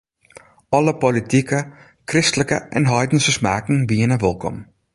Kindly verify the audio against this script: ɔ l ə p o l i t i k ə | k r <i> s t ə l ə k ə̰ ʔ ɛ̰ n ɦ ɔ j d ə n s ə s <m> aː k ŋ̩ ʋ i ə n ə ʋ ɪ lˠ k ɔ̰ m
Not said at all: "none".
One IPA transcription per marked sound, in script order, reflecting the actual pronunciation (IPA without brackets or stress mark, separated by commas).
ɪ, m